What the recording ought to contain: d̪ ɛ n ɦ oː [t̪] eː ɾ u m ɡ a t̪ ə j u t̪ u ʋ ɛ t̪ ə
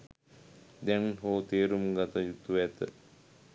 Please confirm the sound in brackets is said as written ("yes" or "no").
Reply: yes